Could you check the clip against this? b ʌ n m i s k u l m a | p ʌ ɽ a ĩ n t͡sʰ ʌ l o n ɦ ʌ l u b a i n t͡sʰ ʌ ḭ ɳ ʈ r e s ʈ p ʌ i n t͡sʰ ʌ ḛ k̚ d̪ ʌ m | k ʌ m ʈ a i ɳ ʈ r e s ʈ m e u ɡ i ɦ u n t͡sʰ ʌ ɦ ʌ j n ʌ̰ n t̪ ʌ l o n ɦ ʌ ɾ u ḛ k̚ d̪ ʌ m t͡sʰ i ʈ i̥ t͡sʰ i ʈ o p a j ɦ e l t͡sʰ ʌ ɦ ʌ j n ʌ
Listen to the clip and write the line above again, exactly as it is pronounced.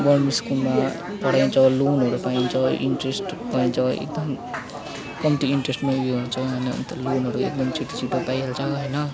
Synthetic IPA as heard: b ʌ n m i s k u l m a | p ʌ ɽ a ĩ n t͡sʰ ʌ l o n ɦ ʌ ɾ u p a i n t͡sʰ ʌ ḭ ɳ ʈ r e s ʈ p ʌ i n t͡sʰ ʌ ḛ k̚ d̪ ʌ m | k ʌ m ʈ i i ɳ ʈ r e s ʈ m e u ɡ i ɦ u n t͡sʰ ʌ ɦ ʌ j n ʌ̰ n t̪ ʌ l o n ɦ ʌ ɾ u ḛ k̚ d̪ ʌ m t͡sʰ i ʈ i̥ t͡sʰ i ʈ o p a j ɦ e l t͡sʰ ʌ ɦ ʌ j n ʌ